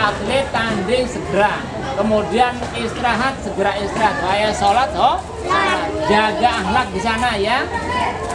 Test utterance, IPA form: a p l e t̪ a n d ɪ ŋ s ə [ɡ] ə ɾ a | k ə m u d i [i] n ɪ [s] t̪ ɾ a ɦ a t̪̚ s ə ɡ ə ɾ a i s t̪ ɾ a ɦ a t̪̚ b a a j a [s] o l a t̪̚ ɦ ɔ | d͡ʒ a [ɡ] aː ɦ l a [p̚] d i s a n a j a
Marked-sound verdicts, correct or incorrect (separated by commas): correct, incorrect, correct, correct, correct, incorrect